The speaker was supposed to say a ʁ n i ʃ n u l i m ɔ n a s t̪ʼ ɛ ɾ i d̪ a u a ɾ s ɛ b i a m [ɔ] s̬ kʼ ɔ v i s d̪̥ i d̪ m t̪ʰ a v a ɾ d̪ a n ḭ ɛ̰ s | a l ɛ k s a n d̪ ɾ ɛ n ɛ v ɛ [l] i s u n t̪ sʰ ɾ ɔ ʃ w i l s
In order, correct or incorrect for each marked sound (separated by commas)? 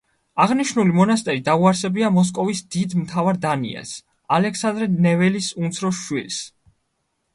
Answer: correct, correct